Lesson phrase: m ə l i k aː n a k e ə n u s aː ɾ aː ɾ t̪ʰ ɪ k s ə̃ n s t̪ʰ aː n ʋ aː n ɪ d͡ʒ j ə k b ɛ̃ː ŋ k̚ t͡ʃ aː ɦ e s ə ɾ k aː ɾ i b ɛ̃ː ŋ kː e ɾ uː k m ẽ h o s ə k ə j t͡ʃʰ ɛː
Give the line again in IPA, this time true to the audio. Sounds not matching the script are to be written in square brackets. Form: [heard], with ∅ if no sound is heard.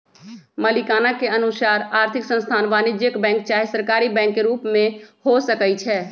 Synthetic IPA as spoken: m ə l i k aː n a k e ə n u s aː ɾ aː ɾ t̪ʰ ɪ k s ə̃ n s t̪ʰ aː n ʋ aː n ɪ d͡ʒ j ə k b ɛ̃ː ŋ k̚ t͡ʃ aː ɦ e s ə ɾ k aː ɾ i b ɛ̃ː ŋ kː e ɾ uː [p] m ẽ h o s ə k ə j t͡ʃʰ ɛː

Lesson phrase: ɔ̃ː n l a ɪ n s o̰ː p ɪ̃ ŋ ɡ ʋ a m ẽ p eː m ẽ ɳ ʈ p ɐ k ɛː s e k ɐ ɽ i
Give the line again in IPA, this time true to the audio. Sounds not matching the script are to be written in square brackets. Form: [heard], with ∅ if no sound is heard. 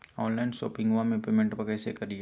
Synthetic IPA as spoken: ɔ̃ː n l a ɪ n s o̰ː p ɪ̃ ŋ ɡ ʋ a m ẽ p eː m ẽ ɳ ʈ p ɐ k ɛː s e k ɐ [ɾ] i

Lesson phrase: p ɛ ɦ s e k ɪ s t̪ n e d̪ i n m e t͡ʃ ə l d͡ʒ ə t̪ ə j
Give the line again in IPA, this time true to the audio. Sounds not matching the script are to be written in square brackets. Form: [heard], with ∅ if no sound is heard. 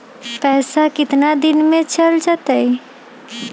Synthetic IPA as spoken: p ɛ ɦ s [a] k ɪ [∅] t̪ n [a] d̪ i n m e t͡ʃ ə l d͡ʒ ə t̪ ə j

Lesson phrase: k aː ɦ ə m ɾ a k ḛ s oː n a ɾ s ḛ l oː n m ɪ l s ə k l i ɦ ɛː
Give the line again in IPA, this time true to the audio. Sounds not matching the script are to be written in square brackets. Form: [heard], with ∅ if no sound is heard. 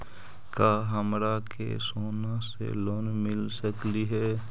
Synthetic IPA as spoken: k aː ɦ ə m ɾ a k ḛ s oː n a [∅] s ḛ l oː n m ɪ l s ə k l i ɦ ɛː

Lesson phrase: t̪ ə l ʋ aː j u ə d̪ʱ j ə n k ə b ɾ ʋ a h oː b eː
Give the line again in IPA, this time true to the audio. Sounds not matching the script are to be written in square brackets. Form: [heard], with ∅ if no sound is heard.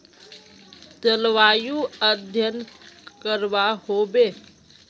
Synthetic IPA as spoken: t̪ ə l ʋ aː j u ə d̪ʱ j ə n k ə [∅] ɾ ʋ a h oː b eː

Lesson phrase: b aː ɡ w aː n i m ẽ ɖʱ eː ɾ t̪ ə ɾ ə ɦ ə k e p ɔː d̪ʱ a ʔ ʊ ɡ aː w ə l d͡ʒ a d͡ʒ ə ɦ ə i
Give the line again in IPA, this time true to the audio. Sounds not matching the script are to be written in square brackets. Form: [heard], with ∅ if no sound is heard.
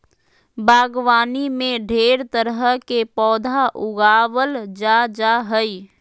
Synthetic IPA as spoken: b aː ɡ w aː n i m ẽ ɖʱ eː ɾ t̪ ə ɾ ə ɦ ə k e p ɔː d̪ʱ a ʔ ʊ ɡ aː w ə l d͡ʒ a d͡ʒ [a] ɦ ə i

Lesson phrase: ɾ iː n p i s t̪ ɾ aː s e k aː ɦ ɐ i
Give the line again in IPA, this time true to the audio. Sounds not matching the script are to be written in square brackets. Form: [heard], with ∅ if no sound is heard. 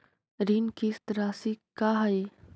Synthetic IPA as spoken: ɾ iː n [k] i s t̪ ɾ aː s [i] k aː ɦ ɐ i

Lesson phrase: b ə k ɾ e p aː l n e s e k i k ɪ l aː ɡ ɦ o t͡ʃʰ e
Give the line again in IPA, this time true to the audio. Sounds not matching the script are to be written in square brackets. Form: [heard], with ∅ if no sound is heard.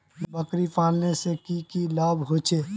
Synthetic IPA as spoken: b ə k ɾ [i] p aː l n e s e k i k [i] l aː [b] ɦ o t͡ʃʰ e

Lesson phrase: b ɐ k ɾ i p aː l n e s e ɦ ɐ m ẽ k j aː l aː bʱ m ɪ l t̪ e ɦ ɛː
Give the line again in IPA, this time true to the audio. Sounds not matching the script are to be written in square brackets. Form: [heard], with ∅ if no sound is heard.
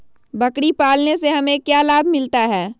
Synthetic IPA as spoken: b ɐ k [ɽ] i p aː l n e s e ɦ ɐ m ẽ k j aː l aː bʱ m ɪ l t̪ [a] ɦ ɛː

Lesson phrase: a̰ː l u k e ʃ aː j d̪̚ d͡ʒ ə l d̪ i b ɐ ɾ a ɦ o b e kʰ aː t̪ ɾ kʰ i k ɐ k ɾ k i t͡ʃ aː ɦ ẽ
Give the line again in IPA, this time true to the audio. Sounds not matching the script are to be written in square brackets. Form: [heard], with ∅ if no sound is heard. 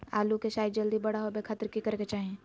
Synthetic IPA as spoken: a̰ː l u k e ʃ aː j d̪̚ d͡ʒ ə l d̪ i b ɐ [ɽ] a ɦ o b e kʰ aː t̪ ɾ [k] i k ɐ [∅] ɾ k [e] t͡ʃ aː ɦ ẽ

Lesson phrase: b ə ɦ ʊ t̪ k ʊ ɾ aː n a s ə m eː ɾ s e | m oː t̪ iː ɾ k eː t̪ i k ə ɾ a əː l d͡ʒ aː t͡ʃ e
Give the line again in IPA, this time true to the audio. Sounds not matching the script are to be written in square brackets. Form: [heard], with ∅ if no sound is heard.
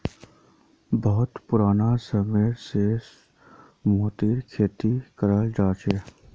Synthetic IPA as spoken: b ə ɦ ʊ t̪ [p] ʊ ɾ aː n a s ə m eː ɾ s e | m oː t̪ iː ɾ [kʰ] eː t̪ i k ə ɾ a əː l d͡ʒ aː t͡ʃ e

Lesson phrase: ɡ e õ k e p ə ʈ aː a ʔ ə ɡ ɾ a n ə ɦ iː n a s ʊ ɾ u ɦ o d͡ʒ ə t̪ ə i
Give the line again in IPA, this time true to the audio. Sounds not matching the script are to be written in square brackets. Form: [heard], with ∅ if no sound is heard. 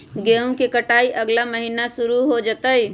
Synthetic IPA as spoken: ɡ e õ k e [k] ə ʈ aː [i] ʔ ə ɡ [l] a [m] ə ɦ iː n a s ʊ ɾ u ɦ o d͡ʒ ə t̪ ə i

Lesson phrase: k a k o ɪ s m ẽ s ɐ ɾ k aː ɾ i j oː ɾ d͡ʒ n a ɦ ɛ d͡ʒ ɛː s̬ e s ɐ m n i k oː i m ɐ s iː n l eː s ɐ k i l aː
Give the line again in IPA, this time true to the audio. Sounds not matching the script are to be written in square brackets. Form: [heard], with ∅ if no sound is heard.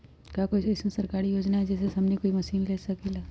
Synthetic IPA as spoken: k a k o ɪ s m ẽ s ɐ ɾ k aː ɾ i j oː [∅] d͡ʒ n a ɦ ɛ d͡ʒ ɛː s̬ e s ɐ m n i k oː i m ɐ s iː n l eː s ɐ k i l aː

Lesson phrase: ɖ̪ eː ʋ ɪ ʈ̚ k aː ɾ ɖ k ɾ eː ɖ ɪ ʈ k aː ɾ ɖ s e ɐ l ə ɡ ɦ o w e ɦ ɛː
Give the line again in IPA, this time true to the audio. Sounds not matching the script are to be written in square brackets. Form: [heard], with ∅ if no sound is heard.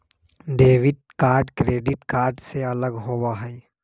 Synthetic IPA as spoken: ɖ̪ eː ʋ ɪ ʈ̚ k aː ɾ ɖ k ɾ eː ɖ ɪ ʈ k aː ɾ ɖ s e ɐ l ə ɡ ɦ o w [a] ɦ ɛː

